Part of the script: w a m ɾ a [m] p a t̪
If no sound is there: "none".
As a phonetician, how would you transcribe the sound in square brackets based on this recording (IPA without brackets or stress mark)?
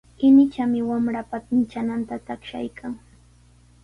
none